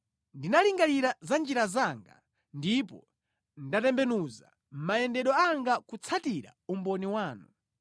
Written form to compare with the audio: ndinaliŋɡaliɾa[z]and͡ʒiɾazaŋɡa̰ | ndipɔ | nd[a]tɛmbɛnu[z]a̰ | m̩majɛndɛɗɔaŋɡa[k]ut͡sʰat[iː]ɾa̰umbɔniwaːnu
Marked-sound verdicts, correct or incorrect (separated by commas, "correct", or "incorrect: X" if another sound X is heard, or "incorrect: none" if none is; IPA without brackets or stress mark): correct, correct, correct, correct, incorrect: i